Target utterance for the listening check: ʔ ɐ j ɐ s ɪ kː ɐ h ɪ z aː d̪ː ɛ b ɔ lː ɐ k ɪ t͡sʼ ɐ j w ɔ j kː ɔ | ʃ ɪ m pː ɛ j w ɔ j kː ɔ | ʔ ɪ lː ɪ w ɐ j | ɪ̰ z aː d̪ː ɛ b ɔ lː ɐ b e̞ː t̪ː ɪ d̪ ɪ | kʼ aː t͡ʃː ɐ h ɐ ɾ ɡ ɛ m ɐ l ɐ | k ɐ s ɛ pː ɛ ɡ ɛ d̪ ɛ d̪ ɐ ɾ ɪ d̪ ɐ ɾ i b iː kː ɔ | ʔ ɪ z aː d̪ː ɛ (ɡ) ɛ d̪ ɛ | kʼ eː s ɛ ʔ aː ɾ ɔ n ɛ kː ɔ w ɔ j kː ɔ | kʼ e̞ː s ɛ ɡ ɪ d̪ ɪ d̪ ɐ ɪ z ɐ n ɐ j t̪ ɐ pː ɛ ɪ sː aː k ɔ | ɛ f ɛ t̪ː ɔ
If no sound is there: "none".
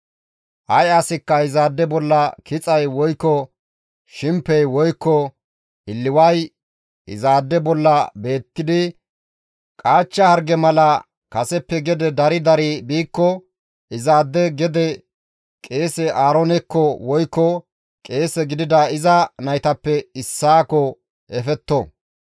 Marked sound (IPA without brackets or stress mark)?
ɡ